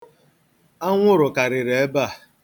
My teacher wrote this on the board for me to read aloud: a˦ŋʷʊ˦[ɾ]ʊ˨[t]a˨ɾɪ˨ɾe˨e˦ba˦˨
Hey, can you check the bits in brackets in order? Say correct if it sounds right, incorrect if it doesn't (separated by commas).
correct, incorrect